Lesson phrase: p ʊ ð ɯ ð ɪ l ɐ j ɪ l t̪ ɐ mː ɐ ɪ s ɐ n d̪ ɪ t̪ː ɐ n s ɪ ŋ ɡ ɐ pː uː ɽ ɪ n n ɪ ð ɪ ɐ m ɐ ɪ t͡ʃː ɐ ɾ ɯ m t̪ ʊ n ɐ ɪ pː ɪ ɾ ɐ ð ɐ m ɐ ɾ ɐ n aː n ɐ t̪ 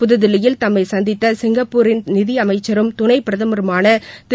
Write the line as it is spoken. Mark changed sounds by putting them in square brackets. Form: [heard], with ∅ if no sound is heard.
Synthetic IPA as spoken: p ʊ ð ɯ ð ɪ l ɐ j ɪ l t̪ ɐ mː ɐ ɪ s ɐ n d̪ ɪ t̪ː ɐ [∅] s ɪ ŋ ɡ ɐ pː uː [ɾ] ɪ n n ɪ ð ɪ ɐ m ɐ ɪ t͡ʃː ɐ ɾ ɯ m t̪ ʊ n ɐ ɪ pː ɪ ɾ ɐ ð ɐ m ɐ ɾ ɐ [m] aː n ɐ t̪